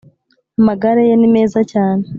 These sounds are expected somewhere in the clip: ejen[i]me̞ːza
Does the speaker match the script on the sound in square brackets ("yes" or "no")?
yes